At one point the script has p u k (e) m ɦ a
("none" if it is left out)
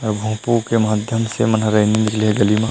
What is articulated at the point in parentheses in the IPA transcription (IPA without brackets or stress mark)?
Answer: e